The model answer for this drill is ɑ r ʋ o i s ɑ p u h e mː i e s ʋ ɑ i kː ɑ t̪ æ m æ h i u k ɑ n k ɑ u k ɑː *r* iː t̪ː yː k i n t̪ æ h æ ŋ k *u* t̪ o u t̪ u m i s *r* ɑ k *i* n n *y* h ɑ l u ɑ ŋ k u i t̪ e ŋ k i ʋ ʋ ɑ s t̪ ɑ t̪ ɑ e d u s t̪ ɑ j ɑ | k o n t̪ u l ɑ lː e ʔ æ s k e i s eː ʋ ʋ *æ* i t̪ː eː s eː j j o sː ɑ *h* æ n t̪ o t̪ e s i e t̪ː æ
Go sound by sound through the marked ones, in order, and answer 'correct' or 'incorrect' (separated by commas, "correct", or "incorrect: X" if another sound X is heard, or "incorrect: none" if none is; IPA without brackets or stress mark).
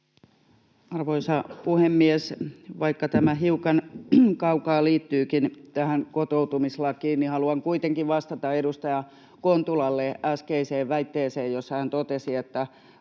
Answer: incorrect: l, incorrect: o, incorrect: l, incorrect: iː, incorrect: i, correct, correct